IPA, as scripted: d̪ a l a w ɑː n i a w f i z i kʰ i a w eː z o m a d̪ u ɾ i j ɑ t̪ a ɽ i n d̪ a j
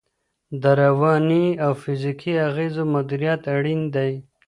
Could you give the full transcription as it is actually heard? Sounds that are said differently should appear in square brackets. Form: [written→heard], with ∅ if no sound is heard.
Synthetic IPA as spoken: d̪ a [l→ɾ] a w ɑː n i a w f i z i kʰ i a [w→ɣ] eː z o m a d̪ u ɾ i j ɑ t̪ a ɽ i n d̪ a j